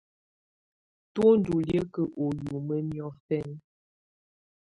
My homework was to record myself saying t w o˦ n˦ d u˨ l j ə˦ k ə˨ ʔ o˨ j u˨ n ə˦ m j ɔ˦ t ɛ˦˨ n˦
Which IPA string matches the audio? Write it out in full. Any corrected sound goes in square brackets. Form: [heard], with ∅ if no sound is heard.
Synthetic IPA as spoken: t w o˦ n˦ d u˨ l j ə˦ k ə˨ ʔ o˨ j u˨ [m] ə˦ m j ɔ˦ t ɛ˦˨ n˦